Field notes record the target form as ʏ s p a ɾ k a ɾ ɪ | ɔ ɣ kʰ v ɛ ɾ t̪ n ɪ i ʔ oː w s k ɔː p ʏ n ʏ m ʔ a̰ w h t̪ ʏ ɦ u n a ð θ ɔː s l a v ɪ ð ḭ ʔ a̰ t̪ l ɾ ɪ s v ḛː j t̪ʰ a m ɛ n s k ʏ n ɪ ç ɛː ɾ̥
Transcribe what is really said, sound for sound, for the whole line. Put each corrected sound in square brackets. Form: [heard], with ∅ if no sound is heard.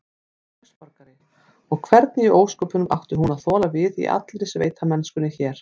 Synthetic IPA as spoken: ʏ s p a ɾ k a ɾ ɪ | ɔ ɣ kʰ v ɛ ɾ t̪ n ɪ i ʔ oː w s k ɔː p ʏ n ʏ m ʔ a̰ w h t̪ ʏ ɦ u n a ð θ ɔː [∅] l a v ɪ ð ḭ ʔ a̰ t̪ l ɾ ɪ s v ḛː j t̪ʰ a m ɛ n s k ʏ n ɪ ç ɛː ɾ̥